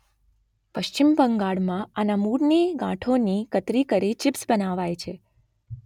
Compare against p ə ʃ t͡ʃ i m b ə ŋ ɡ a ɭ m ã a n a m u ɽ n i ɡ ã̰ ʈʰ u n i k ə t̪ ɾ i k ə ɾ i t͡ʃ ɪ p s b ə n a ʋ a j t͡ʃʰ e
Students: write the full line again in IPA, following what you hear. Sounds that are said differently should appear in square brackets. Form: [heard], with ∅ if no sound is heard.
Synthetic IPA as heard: p ə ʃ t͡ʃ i m b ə ŋ ɡ a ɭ m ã a n a m u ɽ n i ɡ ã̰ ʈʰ [o] n i k ə t̪ ɾ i k ə ɾ i t͡ʃ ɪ p s b ə n a ʋ a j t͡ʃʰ e